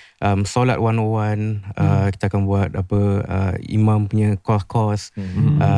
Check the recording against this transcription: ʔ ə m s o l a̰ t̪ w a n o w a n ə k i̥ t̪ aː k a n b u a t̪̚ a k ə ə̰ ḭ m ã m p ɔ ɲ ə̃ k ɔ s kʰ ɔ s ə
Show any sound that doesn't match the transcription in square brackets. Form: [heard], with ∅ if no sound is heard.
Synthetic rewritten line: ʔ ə m s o l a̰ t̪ w a n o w a n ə k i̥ t̪ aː k a n b u a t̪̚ a [p] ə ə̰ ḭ m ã m p [u] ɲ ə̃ k ɔ s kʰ ɔ s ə